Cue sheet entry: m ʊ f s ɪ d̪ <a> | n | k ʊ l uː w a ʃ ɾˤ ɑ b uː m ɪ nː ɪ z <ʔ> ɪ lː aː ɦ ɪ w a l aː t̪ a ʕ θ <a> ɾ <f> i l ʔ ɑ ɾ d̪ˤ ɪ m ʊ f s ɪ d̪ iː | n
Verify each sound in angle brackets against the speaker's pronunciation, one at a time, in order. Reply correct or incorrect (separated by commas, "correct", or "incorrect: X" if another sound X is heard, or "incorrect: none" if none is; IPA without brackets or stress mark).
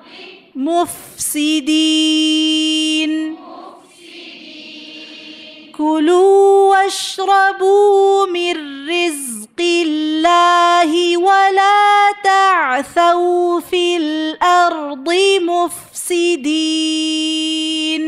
incorrect: i, incorrect: q, correct, correct